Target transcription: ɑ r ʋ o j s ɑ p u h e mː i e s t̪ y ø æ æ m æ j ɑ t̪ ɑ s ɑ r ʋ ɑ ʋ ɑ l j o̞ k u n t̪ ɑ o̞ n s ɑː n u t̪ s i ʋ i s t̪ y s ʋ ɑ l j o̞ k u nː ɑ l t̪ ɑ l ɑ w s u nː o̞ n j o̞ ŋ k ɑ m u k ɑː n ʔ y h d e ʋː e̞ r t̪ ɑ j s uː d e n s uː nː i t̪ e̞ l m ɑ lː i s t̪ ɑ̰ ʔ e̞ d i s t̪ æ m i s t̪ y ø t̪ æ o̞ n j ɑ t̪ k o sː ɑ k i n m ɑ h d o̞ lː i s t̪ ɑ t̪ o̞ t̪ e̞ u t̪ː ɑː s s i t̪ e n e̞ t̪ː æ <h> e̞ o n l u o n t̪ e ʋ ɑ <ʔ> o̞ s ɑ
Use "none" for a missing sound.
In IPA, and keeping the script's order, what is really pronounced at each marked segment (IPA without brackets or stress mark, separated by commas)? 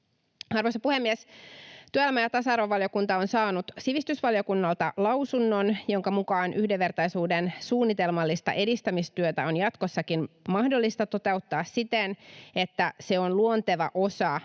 s, ʔ